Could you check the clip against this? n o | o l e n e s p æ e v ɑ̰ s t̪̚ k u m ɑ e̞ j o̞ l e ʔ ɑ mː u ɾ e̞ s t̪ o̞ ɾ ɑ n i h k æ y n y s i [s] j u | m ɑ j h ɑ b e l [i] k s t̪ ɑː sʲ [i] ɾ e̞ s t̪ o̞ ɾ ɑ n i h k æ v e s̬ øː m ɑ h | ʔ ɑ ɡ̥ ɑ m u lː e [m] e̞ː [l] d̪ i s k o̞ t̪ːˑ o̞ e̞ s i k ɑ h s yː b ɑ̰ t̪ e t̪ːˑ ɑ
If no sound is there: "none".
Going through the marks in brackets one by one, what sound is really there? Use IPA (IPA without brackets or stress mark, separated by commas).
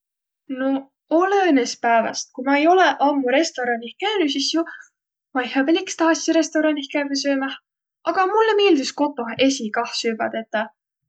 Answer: s, i, i, m, l